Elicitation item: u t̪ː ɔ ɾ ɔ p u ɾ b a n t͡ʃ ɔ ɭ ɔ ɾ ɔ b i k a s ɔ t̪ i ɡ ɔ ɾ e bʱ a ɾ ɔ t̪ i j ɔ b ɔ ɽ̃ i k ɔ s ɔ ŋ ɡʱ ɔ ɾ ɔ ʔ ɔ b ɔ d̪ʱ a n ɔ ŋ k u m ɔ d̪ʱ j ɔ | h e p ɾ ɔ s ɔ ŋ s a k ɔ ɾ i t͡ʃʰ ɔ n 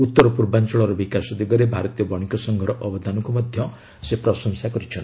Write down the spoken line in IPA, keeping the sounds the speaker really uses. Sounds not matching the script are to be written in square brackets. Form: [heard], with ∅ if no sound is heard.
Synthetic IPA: u t̪ː ɔ ɾ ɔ p u ɾ b a n t͡ʃ ɔ ɭ ɔ ɾ ɔ b i k a s ɔ [d̪] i ɡ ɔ ɾ e bʱ a ɾ ɔ t̪ i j ɔ b ɔ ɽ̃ i k ɔ s ɔ ŋ ɡʱ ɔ ɾ ɔ ʔ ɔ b ɔ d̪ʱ a n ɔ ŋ k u m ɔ d̪ʱ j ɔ | [s] e p ɾ ɔ s ɔ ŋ s a k ɔ ɾ i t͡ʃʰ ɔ n